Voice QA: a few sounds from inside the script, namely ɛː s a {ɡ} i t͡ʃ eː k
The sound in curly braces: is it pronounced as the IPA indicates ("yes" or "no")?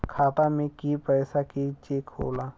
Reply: no